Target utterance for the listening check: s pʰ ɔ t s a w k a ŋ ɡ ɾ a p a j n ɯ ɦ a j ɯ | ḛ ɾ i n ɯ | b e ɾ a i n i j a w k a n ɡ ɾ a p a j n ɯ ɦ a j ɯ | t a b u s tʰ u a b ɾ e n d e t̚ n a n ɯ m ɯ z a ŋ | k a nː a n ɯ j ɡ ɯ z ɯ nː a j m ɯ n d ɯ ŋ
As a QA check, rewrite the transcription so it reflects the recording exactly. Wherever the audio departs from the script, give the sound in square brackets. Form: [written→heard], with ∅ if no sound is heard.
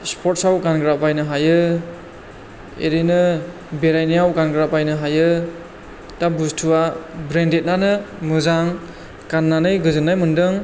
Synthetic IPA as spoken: s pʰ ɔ t s a w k a [ŋ→n] ɡ ɾ a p a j n ɯ ɦ a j ɯ | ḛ ɾ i n ɯ | b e ɾ a [i→j] n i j a w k a n ɡ ɾ a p a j n ɯ ɦ a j ɯ | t a b u s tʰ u a b ɾ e n d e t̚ n a n ɯ m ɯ z a ŋ | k a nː a n ɯ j ɡ ɯ z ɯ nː a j m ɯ n d ɯ ŋ